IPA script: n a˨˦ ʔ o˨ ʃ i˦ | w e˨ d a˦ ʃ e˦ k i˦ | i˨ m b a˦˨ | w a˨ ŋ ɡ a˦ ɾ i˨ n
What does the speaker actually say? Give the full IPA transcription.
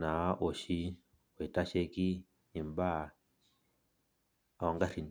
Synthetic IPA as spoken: n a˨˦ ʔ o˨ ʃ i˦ | w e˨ t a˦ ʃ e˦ k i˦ | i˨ m b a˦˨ | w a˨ ŋ ɡ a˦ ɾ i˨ n